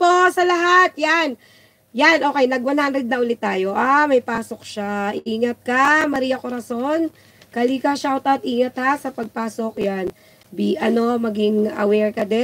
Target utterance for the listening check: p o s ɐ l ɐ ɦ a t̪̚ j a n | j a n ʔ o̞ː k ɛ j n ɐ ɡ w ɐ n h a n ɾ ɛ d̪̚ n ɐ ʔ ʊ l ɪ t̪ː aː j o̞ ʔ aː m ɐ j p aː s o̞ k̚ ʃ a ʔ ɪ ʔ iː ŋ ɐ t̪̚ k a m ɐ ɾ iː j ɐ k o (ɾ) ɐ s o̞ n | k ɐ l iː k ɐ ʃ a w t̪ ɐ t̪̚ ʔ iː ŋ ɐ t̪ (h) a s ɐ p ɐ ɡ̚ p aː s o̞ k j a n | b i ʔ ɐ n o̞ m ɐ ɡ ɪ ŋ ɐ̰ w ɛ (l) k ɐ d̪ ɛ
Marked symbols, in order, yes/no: yes, yes, no

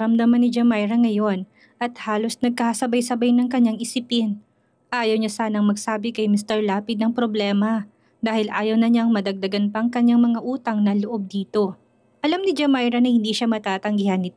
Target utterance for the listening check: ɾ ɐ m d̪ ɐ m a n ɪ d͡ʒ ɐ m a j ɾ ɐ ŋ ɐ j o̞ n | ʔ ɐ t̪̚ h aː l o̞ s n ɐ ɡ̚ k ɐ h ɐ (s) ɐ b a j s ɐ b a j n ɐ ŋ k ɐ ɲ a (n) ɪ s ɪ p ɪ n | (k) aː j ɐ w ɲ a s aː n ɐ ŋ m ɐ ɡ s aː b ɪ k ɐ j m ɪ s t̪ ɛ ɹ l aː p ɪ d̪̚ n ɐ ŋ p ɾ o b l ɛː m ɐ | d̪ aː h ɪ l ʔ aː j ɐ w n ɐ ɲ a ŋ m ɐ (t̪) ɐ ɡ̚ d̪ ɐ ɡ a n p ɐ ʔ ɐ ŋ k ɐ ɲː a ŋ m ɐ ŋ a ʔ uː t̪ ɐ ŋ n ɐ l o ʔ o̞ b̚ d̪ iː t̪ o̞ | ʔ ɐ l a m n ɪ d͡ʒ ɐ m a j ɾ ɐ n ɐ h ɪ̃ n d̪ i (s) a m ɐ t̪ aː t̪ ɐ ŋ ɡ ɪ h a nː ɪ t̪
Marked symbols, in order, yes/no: yes, no, no, no, no

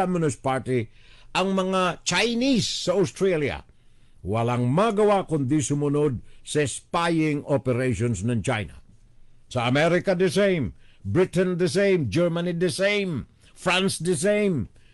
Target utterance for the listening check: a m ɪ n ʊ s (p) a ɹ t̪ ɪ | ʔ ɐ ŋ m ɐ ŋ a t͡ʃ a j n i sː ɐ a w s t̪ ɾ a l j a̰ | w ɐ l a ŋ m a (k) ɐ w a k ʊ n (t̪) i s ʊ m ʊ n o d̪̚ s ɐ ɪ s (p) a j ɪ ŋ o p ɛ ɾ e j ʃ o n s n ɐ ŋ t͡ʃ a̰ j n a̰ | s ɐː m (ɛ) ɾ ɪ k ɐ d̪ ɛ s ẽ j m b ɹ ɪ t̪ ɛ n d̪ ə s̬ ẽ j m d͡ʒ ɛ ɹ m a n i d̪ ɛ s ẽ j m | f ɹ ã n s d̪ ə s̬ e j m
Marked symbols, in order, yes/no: yes, no, no, yes, yes

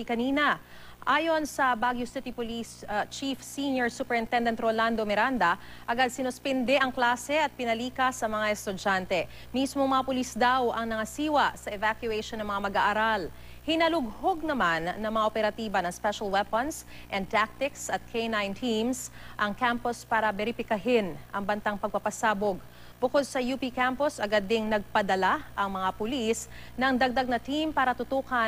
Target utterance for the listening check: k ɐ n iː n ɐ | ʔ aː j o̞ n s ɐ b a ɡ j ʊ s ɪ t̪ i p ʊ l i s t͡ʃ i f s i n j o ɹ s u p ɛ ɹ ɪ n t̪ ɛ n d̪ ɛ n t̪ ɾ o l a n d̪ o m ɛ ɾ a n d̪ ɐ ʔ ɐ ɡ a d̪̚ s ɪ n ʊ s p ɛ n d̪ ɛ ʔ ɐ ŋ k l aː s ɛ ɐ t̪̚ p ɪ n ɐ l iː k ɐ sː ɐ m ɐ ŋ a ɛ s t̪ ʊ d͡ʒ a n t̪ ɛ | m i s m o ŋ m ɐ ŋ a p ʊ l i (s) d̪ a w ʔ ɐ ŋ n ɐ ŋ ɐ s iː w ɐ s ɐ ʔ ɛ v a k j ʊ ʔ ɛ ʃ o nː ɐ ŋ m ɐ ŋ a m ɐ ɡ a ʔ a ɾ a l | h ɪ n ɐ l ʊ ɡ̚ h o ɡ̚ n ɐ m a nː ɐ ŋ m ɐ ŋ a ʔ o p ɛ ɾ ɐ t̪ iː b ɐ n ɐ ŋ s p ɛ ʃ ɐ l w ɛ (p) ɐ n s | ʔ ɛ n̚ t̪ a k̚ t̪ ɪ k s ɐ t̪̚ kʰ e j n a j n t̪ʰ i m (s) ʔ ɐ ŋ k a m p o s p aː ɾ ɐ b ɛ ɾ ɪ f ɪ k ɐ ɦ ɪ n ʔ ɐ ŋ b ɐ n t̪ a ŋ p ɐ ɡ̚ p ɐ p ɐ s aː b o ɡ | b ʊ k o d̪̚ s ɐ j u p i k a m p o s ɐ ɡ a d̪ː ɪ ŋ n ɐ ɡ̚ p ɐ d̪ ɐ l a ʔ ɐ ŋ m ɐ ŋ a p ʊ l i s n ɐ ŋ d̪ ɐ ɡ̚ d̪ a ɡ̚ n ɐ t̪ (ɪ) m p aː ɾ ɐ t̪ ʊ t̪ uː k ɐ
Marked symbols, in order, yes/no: yes, yes, yes, no

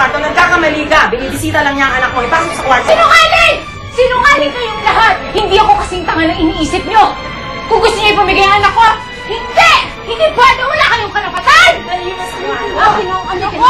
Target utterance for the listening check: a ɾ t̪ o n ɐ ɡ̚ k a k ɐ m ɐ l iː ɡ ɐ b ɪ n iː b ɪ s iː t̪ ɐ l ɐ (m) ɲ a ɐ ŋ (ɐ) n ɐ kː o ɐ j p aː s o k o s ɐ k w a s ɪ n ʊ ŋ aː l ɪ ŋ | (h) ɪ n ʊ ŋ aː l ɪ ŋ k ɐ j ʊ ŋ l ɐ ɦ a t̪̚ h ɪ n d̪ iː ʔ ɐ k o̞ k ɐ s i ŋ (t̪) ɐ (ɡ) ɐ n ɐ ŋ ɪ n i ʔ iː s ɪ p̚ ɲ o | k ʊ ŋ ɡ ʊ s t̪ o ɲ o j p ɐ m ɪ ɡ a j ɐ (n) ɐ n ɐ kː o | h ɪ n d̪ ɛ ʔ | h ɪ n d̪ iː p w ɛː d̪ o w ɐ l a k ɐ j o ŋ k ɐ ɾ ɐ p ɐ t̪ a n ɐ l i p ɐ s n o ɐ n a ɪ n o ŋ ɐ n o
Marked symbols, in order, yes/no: no, yes, no, yes, no, no

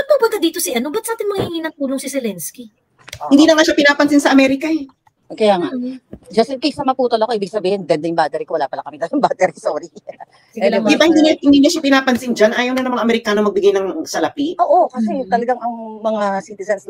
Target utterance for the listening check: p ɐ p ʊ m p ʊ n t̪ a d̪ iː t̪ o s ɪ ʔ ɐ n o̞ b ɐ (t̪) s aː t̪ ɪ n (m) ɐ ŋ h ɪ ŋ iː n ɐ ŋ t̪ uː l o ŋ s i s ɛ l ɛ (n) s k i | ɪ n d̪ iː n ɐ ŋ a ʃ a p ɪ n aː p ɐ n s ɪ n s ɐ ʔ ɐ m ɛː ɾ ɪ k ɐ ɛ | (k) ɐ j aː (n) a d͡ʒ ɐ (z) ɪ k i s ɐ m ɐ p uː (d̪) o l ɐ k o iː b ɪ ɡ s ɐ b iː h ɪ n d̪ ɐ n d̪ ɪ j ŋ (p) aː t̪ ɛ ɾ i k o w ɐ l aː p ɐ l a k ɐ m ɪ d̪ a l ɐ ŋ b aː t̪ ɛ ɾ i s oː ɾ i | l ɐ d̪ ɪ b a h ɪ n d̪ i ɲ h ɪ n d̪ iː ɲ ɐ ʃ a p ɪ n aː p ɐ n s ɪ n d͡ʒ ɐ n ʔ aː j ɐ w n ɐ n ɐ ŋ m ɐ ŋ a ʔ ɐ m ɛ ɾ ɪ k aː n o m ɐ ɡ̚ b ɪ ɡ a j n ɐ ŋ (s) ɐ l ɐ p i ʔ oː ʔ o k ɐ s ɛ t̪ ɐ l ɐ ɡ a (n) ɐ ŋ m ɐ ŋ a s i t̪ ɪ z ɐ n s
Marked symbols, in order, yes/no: yes, yes, yes, yes, no, no, no, no, yes, no

